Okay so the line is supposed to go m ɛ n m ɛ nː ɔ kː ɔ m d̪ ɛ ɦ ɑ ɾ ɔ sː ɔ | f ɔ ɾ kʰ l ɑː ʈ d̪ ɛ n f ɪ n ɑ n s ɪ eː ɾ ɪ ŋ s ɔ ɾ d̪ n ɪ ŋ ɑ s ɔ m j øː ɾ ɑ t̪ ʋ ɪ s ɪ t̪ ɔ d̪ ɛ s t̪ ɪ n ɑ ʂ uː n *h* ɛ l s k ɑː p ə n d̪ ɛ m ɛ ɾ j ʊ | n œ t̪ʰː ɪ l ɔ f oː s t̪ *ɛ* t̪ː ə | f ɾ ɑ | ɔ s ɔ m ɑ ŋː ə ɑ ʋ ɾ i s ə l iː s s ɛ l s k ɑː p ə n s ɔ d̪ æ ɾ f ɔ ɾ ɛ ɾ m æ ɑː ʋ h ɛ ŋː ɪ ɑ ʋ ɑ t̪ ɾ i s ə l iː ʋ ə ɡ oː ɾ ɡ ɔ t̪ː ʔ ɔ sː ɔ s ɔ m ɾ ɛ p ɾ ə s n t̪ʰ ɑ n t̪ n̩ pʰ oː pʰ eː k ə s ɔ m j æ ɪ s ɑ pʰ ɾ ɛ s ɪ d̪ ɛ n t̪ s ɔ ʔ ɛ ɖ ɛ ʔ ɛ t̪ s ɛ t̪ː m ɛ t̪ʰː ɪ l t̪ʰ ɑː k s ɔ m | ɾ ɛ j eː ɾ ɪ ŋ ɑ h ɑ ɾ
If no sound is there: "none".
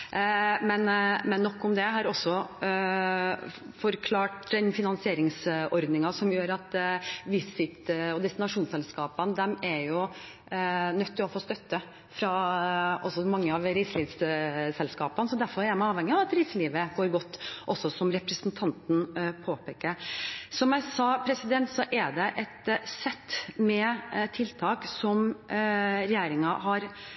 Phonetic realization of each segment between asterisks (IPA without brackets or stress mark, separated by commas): s, œ